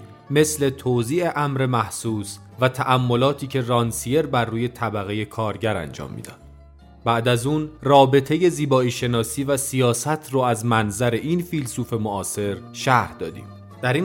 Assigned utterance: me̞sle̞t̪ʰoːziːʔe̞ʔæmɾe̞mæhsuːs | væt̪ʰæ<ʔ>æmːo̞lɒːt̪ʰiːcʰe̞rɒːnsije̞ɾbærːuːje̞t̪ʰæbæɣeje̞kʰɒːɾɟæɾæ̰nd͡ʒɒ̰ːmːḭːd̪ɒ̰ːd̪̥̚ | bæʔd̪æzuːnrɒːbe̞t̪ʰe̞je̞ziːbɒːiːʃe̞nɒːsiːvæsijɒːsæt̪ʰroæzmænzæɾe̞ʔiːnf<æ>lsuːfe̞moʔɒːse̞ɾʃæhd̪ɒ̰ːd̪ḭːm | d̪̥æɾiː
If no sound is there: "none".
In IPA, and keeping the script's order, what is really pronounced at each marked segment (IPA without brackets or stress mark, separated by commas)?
ʔ, i